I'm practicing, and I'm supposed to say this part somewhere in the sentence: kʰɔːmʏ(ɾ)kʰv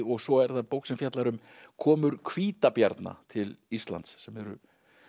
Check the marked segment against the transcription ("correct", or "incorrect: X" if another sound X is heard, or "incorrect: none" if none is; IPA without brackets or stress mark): correct